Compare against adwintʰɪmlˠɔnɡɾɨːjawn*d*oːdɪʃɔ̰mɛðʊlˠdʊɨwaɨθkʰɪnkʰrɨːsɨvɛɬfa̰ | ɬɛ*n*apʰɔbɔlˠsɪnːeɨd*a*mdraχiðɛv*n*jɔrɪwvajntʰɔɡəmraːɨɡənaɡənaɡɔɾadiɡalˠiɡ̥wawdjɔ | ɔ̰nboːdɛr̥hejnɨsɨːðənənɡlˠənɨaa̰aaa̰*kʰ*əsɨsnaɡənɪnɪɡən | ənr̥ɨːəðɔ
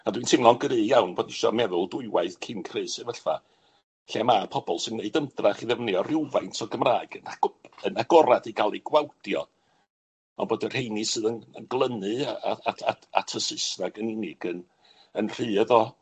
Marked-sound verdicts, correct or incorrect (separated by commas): incorrect, incorrect, incorrect, correct, incorrect